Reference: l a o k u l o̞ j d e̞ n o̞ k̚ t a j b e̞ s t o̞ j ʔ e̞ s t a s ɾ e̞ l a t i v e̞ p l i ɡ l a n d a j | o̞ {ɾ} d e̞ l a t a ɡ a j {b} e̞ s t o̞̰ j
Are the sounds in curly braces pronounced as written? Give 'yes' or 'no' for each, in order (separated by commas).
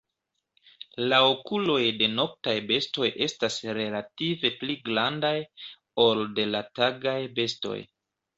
no, yes